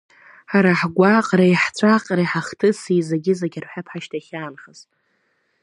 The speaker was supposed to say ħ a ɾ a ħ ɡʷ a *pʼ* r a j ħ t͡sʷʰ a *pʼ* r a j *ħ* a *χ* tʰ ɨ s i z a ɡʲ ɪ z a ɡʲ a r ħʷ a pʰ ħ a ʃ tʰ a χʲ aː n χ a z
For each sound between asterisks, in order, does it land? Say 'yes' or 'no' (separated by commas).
no, no, yes, yes